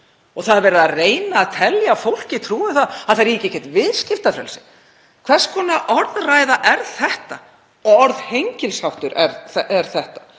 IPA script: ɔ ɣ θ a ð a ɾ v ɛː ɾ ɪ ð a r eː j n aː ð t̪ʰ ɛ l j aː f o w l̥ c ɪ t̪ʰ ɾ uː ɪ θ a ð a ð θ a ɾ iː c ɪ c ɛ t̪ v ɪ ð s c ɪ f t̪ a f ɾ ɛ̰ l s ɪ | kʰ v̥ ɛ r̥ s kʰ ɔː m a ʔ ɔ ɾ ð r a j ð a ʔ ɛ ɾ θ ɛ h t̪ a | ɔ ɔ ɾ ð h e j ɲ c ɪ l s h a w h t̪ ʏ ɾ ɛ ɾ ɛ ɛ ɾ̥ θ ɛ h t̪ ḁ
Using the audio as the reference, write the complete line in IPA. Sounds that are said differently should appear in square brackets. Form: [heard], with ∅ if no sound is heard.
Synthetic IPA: ɔ ɣ θ a ð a ɾ v ɛː ɾ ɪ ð a r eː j n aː ð t̪ʰ ɛ l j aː f o w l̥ c ɪ t̪ʰ ɾ uː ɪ θ a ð a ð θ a ɾ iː c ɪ c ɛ t̪ v ɪ ð s c ɪ f t̪ a f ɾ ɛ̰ l s ɪ | kʰ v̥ ɛ r̥ s kʰ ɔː [n] a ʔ ɔ ɾ ð r a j ð a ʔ ɛ ɾ θ ɛ h t̪ a | ɔ ɔ ɾ ð h e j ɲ c ɪ l s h a w h t̪ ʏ ɾ ɛ ɾ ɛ ɛ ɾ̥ θ ɛ h t̪ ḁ